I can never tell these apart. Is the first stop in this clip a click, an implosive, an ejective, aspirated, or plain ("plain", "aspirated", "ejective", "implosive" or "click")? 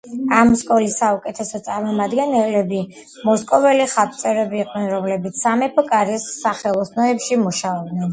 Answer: ejective